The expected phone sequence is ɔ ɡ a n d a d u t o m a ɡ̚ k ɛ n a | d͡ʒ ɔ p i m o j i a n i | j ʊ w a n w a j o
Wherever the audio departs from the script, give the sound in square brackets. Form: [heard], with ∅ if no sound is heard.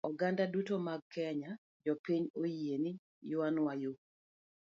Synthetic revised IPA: ɔ ɡ a n d a d u t o m a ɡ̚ k ɛ [ɲ] a | d͡ʒ ɔ p i [ɲ] o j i [e] n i | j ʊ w a n w a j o